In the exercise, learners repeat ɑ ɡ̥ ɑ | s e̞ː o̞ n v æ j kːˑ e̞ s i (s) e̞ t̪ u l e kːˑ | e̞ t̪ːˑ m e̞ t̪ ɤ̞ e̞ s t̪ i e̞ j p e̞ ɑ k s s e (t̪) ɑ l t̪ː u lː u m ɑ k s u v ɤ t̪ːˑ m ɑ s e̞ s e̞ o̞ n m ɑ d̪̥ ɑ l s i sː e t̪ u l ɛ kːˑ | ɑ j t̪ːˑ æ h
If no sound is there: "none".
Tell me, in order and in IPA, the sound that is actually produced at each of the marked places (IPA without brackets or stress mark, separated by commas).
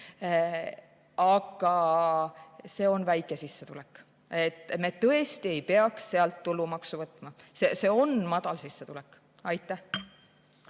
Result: sː, none